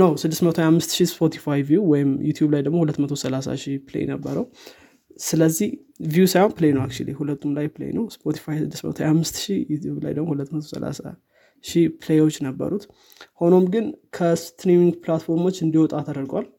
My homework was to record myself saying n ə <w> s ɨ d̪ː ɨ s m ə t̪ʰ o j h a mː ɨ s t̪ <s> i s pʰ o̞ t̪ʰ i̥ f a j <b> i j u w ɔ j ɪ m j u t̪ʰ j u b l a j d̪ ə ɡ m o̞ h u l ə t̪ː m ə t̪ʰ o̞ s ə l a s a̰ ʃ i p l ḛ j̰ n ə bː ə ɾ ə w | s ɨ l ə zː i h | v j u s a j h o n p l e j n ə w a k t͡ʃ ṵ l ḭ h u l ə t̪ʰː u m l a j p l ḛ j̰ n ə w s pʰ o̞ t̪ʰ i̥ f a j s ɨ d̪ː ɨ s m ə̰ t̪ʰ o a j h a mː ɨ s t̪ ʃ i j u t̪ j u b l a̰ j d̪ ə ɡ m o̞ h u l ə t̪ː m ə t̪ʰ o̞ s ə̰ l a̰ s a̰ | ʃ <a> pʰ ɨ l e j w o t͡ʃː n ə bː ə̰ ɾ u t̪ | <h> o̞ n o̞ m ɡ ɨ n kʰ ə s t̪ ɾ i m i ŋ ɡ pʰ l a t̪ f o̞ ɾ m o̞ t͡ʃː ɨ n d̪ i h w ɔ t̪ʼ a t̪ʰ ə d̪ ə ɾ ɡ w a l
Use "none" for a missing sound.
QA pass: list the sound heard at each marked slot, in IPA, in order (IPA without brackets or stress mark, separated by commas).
w, ʃ, v, i, h